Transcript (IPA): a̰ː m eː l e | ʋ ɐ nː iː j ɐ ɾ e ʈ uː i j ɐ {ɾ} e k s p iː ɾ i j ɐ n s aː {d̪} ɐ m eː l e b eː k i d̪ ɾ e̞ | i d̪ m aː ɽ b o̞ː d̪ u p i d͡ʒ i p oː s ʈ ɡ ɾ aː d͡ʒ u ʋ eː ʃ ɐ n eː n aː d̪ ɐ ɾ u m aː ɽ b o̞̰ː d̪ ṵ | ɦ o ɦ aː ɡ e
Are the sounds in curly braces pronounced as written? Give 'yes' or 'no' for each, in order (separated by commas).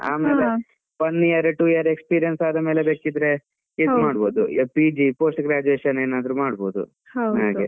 yes, yes